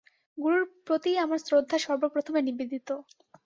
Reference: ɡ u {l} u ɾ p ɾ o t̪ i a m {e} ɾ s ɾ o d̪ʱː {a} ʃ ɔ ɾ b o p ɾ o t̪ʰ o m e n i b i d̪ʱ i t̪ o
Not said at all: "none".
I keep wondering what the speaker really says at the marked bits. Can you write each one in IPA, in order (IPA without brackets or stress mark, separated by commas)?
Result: ɾ, a, a